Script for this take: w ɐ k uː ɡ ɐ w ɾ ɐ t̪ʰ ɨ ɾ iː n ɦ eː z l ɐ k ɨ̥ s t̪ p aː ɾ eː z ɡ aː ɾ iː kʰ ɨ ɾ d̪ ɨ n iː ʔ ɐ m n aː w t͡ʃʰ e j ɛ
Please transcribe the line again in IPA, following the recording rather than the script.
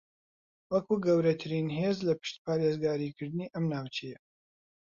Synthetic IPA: w ɐ k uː ɡ ɐ w ɾ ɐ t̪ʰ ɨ ɾ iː n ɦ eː z l ɐ p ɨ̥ ʃ t̪ p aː ɾ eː z ɡ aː ɾ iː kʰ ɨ ɾ d̪ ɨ n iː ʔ ɐ m n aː w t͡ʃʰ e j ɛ